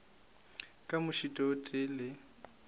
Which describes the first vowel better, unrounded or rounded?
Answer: unrounded